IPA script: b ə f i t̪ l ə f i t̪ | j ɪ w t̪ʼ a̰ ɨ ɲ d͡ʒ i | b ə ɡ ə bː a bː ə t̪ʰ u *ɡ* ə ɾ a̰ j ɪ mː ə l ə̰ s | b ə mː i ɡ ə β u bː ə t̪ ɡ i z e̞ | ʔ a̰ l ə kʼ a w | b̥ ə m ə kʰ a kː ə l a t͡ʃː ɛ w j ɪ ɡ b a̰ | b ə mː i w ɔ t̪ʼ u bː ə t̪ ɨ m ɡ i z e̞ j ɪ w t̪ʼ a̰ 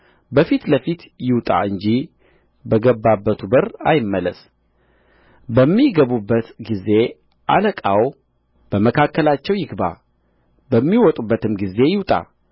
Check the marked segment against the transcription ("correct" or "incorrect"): incorrect